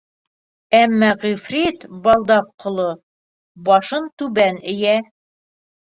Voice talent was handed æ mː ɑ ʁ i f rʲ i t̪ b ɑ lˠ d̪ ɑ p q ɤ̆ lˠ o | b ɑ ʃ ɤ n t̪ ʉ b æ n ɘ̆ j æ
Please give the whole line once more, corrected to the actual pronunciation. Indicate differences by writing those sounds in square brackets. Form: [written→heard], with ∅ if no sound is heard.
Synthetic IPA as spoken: æ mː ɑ ʁ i f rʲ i t̪ b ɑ lˠ d̪ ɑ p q [ɤ̆→ŏ] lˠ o | b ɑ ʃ ɤ n t̪ ʉ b æ n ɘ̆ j æ